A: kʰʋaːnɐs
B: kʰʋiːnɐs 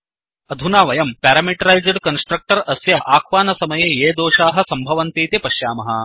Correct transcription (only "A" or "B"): A